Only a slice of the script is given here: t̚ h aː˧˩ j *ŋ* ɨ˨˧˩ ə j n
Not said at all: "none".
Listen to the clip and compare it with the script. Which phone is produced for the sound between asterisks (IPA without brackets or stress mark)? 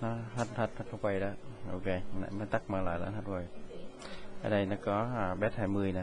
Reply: m